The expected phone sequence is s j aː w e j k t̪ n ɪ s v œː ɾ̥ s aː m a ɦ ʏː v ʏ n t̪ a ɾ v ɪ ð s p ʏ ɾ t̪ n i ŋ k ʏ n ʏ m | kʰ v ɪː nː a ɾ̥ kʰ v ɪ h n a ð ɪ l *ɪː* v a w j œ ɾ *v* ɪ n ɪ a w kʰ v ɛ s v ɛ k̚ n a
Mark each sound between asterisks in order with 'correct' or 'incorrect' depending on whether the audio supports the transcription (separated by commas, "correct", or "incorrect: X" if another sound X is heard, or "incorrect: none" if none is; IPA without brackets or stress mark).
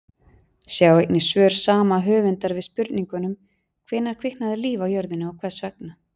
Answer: incorrect: iː, incorrect: ð